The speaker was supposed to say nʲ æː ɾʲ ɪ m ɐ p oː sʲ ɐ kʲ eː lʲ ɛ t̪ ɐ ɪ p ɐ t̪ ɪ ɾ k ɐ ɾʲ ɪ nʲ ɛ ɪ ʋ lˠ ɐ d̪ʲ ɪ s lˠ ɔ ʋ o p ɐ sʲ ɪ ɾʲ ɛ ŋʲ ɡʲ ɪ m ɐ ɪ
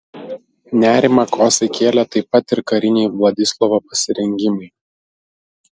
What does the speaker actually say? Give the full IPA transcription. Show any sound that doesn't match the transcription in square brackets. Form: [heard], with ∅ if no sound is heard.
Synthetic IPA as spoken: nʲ æː ɾʲ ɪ m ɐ [k] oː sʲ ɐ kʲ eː lʲ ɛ t̪ ɐ ɪ p ɐ t̪ ɪ ɾ k ɐ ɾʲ ɪ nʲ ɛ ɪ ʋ lˠ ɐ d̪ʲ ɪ s lˠ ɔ ʋ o p ɐ sʲ ɪ ɾʲ ɛ ŋʲ ɡʲ ɪ m ɐ ɪ